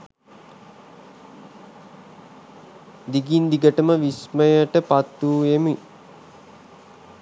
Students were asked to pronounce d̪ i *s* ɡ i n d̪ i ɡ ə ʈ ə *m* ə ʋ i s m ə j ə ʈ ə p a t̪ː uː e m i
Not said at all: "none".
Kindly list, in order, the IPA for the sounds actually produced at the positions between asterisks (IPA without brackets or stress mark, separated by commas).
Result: none, m